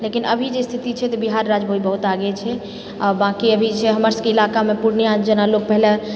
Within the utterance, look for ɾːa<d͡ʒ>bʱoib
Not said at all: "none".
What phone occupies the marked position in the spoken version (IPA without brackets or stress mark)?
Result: d͡ʒ